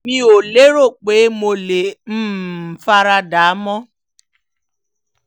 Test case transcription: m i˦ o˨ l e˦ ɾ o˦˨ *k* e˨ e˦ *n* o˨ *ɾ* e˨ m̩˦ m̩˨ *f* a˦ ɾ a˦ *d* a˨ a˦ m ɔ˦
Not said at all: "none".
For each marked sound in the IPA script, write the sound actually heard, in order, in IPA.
k͡p, m, l, f, d

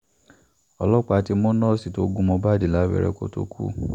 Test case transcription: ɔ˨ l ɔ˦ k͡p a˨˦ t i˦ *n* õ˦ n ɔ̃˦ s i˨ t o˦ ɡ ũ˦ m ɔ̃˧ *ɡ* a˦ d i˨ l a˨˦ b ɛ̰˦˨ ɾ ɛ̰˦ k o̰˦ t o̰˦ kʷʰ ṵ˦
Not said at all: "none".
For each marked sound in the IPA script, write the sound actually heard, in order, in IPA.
m, b

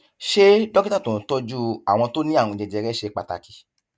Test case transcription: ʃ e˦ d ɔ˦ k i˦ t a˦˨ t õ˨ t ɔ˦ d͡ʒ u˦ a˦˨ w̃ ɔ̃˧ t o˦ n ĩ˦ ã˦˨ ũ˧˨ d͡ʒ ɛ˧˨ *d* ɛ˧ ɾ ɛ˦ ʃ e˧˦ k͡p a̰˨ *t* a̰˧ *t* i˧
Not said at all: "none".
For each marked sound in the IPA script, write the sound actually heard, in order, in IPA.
d͡ʒ, t, k

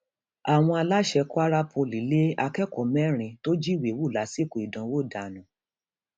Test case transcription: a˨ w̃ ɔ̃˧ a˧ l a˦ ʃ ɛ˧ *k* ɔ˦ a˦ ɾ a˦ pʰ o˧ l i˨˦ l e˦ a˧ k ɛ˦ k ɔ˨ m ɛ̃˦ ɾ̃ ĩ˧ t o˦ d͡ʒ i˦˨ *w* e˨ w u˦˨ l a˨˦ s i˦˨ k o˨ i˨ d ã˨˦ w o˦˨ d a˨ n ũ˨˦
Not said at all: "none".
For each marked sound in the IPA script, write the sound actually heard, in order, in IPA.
k, w

